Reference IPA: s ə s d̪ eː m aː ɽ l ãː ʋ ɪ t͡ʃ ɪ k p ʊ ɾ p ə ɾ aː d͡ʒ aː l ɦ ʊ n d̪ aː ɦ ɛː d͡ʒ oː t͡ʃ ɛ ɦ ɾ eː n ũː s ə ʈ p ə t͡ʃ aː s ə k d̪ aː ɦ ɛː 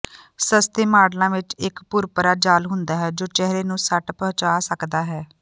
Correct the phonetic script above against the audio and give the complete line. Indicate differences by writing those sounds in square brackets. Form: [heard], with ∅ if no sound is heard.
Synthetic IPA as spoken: s ə s [t̪] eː m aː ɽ l ãː ʋ ɪ t͡ʃ ɪ k p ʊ ɾ p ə ɾ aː d͡ʒ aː l ɦ ʊ n d̪ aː ɦ ɛː d͡ʒ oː t͡ʃ ɛ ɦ ɾ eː n ũː s ə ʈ p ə t͡ʃ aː s ə k d̪ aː ɦ ɛː